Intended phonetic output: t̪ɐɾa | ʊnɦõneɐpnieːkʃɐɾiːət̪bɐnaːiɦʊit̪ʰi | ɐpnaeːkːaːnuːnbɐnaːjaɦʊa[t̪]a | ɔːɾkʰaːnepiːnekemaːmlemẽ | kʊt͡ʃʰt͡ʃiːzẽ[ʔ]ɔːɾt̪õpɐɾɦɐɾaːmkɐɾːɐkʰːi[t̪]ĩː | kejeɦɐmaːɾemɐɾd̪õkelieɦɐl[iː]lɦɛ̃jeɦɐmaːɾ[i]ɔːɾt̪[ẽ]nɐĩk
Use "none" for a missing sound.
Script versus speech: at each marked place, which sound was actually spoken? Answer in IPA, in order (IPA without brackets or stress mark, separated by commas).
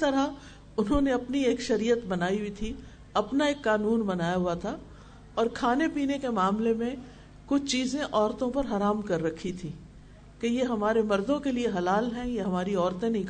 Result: t̪ʰ, ʔ, t̪ʰ, aː, i, ẽ